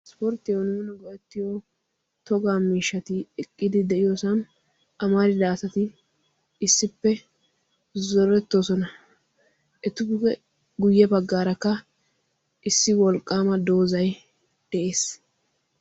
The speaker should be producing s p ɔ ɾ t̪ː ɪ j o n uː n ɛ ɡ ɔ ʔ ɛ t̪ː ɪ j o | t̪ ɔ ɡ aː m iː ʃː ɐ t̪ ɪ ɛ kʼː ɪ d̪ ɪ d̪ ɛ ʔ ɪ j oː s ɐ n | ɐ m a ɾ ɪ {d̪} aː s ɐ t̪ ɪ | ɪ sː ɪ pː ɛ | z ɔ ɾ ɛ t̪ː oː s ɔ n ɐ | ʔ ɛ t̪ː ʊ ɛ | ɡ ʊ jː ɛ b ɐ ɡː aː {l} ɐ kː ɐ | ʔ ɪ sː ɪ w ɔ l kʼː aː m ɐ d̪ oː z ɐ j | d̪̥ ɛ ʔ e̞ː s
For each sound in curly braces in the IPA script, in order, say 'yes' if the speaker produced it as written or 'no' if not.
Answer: yes, no

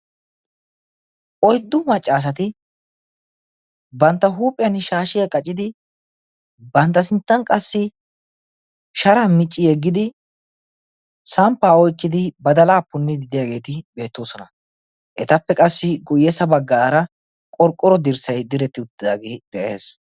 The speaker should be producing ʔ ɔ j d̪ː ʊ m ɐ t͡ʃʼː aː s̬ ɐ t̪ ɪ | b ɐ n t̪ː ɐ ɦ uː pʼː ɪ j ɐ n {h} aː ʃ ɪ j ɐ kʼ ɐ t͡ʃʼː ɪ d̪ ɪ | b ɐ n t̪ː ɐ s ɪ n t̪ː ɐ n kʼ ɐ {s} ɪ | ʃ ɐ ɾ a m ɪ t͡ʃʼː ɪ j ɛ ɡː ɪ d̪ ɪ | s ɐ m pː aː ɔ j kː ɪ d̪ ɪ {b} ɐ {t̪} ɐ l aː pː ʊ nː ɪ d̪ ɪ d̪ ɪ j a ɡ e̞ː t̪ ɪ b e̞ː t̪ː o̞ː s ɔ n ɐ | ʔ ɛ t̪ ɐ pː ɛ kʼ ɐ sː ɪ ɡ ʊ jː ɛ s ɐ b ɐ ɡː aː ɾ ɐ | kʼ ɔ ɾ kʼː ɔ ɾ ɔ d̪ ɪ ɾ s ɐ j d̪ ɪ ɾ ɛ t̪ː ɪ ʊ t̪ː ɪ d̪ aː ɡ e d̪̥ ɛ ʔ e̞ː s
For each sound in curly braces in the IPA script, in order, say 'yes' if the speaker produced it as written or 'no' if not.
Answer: no, no, yes, no

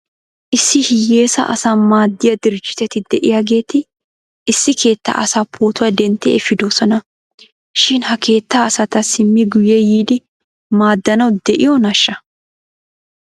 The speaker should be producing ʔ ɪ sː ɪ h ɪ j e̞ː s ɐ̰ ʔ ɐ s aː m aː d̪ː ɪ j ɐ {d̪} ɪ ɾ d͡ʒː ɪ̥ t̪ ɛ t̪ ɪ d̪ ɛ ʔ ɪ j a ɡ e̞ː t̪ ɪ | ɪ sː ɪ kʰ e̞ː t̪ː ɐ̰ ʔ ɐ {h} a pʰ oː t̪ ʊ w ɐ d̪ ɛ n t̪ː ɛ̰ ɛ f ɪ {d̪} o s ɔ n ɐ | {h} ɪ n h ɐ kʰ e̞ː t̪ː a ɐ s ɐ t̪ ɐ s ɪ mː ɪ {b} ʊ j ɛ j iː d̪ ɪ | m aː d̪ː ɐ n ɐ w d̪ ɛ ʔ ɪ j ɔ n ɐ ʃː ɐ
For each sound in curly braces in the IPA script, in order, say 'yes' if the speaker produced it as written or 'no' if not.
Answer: yes, no, yes, no, no

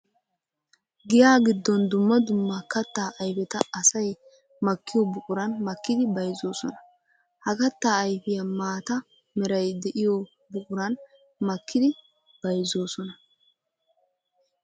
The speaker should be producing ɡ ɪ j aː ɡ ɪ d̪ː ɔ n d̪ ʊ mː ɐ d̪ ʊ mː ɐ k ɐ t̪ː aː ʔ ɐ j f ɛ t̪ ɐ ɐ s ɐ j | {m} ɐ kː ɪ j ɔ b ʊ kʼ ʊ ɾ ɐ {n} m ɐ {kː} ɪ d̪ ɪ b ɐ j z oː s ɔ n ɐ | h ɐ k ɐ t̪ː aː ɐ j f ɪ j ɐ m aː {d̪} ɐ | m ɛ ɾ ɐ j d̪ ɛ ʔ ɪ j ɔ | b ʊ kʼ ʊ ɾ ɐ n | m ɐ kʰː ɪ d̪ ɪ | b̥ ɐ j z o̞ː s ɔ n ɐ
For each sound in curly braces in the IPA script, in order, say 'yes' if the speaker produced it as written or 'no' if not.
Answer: yes, yes, yes, no

